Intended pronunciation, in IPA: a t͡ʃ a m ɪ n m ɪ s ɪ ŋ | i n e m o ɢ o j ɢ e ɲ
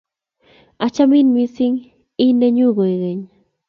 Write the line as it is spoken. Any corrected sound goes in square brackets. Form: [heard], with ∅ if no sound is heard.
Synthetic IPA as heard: a t͡ʃ a m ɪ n m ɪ s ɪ ŋ | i n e [ɲ] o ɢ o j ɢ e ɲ